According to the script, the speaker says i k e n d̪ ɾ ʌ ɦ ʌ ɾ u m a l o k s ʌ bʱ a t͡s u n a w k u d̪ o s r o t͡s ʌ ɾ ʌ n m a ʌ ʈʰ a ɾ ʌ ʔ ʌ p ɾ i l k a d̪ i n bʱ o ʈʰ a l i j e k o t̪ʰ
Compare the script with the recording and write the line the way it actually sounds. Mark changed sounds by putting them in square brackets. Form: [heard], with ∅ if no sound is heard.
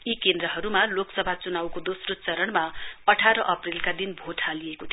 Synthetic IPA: i k e n d̪ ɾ ʌ ɦ ʌ ɾ u m a l o k s ʌ bʱ a t͡s u n a w k [o] d̪ o s r o t͡s ʌ ɾ ʌ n m a ʌ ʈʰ a ɾ ʌ ʔ ʌ p [r] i l k a d̪ i n bʱ o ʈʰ a l i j e k o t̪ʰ